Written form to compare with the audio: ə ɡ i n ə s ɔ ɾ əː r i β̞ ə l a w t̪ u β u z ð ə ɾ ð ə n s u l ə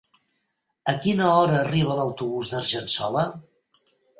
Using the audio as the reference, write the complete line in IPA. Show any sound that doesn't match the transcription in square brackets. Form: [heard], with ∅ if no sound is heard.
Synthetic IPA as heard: ə [k] i n ə [∅] ɔ ɾ əː r i β̞ ə l [ə] w t̪ u β u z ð ə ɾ [ʒ] ə n s [ɔ] l ə